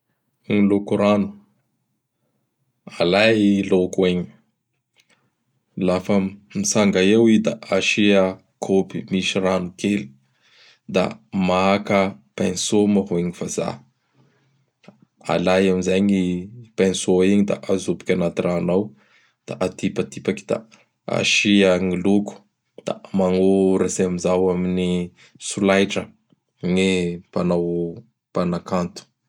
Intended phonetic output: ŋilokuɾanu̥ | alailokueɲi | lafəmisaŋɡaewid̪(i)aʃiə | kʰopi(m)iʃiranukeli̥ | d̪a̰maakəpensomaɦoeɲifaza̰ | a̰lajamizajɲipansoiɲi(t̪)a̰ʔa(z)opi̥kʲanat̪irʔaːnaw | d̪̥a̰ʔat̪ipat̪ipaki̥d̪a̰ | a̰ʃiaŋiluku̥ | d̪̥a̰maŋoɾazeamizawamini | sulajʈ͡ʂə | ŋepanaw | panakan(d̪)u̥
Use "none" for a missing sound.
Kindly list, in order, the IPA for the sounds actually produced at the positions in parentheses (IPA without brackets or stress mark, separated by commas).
a, m, d̪, z, t̪